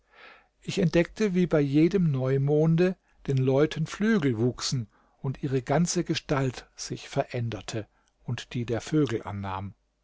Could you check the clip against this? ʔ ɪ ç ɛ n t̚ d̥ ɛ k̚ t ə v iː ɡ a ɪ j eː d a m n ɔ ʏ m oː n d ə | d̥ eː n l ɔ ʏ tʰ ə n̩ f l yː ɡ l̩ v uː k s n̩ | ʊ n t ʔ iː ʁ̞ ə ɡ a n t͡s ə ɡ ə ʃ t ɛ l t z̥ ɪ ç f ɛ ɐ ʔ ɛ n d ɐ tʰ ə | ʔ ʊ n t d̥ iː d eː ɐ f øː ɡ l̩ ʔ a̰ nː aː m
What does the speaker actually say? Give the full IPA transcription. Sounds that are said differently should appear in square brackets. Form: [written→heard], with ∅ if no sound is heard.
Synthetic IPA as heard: ʔ ɪ ç ɛ n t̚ d̥ ɛ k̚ t ə v iː [ɡ→b] a ɪ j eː d [a→ə] m n ɔ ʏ m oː n d ə | d̥ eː n l ɔ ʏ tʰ ə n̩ f l yː ɡ l̩ v uː k s n̩ | ʊ n t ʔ iː ʁ̞ ə ɡ a n t͡s ə ɡ ə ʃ t [ɛ→a] l t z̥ ɪ ç f ɛ ɐ ʔ ɛ n d ɐ tʰ ə | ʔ ʊ n t d̥ iː d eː ɐ f øː ɡ l̩ ʔ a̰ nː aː m